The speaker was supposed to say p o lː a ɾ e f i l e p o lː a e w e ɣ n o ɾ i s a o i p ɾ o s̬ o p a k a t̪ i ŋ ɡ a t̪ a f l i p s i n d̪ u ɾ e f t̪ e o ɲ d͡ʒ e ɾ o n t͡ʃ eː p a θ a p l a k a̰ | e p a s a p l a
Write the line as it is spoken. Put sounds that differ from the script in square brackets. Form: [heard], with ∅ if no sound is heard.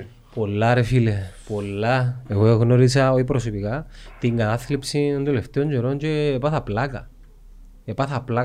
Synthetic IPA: p o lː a ɾ e f i l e p o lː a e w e ɣ n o ɾ i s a o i p ɾ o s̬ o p [i] k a t̪ i ŋ ɡ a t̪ a [θ] l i p s i n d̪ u [l] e f t̪ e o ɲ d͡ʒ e ɾ o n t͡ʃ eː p a θ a p l a k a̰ | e p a [θ] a p l a